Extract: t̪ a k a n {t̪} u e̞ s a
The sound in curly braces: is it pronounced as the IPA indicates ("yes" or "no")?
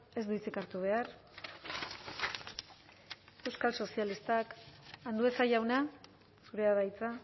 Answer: no